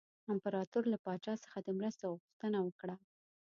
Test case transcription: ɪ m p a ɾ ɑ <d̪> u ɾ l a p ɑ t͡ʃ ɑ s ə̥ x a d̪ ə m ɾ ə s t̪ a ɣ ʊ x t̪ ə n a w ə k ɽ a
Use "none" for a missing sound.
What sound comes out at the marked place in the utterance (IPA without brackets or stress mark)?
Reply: t̪